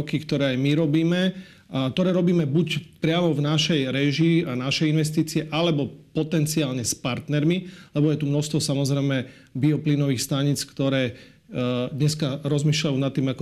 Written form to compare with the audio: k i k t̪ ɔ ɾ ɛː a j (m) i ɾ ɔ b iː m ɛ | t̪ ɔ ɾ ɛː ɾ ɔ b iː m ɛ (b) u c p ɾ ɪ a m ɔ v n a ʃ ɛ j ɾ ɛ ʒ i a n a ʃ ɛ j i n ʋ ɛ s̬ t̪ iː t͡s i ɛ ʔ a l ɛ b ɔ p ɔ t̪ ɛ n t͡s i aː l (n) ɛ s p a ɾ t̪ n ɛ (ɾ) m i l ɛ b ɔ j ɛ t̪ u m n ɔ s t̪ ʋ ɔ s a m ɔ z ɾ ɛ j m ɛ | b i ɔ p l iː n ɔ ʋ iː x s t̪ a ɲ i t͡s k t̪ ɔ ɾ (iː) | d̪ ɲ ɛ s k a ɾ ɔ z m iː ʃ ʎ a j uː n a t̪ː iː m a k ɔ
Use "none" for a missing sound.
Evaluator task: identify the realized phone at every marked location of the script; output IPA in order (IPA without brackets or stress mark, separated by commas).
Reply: m, b, ɲ, ɾ, ɛː